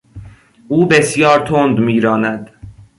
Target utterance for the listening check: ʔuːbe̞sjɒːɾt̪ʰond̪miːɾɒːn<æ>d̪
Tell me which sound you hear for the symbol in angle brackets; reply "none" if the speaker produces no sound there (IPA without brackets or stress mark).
æ